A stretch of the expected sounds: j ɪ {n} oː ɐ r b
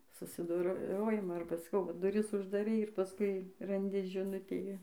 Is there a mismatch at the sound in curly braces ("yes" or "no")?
yes